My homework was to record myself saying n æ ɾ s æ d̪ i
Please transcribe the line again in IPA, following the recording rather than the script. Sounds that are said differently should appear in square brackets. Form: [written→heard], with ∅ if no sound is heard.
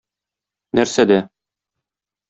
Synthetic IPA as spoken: n æ ɾ s æ d̪ [i→æ]